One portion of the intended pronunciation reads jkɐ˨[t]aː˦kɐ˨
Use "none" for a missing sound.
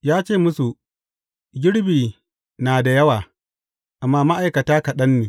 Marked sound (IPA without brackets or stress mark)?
t